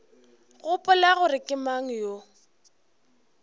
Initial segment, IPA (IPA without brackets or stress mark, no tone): ɣ